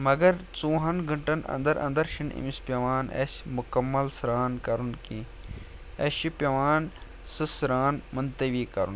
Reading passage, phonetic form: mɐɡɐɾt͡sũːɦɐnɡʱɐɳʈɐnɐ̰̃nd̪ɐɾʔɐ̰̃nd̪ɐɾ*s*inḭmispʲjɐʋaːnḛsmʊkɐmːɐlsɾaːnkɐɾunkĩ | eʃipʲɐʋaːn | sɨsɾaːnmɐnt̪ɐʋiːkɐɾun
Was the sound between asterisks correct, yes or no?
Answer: no